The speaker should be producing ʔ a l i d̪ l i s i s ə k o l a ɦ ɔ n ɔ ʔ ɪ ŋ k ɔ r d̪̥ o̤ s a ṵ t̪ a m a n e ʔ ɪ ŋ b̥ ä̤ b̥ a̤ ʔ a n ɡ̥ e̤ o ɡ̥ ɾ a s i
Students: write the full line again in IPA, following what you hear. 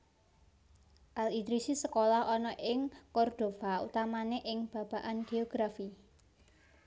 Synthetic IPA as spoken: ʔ a l i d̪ ɾ i s i s ə k o l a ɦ ɔ n ɔ ʔ ɪ ŋ k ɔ r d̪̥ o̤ f a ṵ t̪ a m a n e ʔ ɪ ŋ b̥ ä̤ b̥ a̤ ʔ a n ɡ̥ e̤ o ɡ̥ ɾ a f i